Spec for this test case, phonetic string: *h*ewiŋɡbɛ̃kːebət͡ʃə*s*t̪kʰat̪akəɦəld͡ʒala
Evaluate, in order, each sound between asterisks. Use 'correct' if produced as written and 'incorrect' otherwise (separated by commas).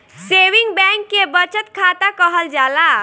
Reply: incorrect, incorrect